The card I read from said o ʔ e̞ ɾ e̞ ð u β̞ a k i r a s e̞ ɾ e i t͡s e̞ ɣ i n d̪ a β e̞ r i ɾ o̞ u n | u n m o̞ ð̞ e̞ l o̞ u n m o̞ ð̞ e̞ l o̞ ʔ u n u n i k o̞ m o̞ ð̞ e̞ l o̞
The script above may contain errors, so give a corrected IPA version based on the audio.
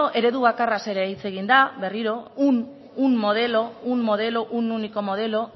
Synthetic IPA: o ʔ e̞ ɾ e̞ ð u β̞ a k a r a s e̞ ɾ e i t͡s e̞ ɣ i n d̪ a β e̞ r i ɾ o̞ u n | u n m o̞ ð̞ e̞ l o̞ u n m o̞ ð̞ e̞ l o̞ ʔ u n u n i k o̞ m o̞ ð̞ e̞ l o̞